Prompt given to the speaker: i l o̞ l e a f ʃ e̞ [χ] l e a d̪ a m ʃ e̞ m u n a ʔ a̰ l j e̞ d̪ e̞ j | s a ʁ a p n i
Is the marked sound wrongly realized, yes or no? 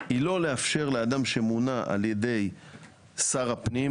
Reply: yes